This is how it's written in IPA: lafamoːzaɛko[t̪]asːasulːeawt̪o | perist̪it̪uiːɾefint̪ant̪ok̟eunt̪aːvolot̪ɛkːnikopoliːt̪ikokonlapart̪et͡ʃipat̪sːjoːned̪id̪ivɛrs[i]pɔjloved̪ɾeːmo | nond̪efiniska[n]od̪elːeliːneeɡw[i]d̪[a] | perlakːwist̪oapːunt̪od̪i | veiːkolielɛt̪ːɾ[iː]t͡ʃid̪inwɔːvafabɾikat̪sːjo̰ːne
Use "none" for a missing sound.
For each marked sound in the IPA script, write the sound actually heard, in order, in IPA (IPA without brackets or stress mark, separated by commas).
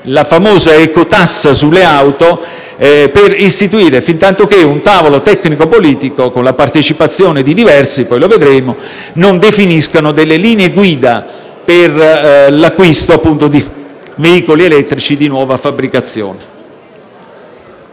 t̪, i, n, iː, a, i